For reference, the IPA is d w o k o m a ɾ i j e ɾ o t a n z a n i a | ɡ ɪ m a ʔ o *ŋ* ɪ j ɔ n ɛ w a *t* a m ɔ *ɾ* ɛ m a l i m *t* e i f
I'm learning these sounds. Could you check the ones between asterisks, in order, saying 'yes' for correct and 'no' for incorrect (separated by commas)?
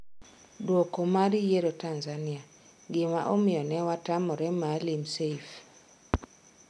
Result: no, yes, yes, no